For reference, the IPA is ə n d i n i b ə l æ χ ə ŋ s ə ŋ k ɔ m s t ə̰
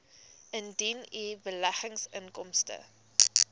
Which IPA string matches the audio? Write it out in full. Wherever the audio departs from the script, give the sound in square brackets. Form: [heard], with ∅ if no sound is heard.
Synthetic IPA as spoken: ə n d i n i b ə l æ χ ə ŋ s ə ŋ k ɔ m s t ə̰